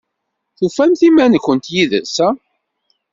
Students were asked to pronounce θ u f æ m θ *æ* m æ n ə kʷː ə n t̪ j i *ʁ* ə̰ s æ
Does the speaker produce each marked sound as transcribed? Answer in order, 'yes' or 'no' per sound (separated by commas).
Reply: no, no